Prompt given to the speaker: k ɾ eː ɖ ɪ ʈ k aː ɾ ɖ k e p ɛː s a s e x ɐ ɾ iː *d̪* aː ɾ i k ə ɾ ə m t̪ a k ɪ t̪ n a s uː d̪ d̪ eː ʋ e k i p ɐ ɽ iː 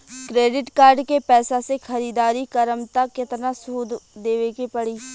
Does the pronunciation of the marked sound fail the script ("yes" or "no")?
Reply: no